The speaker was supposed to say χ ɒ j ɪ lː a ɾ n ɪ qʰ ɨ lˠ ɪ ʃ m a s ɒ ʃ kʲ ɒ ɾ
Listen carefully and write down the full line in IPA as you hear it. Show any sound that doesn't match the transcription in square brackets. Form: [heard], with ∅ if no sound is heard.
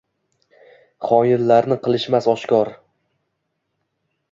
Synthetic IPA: χ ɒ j ɪ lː a ɾ n ɪ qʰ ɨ lˠ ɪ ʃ m a s ɒ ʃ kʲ ɒ ɾ

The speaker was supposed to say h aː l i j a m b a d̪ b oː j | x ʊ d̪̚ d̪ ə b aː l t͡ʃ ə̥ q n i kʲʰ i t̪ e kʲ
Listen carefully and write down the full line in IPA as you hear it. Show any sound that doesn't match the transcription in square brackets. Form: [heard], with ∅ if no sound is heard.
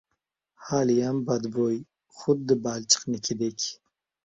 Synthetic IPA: h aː l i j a m b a d̪ b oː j | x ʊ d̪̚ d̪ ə b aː l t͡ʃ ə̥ q n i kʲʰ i [d̪] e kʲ

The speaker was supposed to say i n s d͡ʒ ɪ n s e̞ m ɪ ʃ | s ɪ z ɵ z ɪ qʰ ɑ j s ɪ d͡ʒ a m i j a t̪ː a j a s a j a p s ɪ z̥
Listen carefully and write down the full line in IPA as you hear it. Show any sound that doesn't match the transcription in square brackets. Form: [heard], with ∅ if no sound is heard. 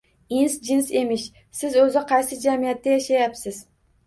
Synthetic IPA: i n s d͡ʒ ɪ n s e̞ m ɪ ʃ | s ɪ z ɵ z ɪ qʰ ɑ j s ɪ d͡ʒ a m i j a t̪ː a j a [ʃ] a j a p s ɪ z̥

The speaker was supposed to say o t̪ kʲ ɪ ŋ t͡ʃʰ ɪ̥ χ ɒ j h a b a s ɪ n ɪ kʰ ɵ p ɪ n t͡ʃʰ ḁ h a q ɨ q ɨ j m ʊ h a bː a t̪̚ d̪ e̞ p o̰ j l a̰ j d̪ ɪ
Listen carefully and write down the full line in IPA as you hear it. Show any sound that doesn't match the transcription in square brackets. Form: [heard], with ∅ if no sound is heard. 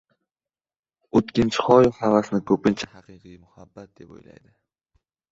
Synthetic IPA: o t̪ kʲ ɪ [n] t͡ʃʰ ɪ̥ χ ɒ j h a [v] a s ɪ n ɪ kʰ ɵ p ɪ n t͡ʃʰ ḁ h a q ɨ q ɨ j m ʊ h a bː a t̪̚ d̪ e̞ p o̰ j l a̰ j d̪ ɪ

